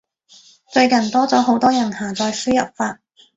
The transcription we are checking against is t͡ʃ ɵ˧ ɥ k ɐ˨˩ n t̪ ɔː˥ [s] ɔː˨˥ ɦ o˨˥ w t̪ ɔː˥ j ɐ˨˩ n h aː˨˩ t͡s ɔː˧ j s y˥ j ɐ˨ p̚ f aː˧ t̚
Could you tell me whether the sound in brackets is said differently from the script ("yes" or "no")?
yes